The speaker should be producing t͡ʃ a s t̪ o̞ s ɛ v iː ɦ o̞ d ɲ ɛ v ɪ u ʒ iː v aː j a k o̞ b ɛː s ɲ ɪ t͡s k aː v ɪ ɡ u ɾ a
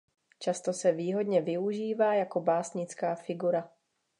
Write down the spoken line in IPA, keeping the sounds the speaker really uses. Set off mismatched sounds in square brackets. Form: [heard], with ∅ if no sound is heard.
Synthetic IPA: t͡ʃ a s t̪ o̞ s ɛ v iː ɦ o̞ d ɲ ɛ v ɪ u ʒ iː v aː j a k o̞ b [aː] s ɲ ɪ t͡s k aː [f] ɪ ɡ u ɾ a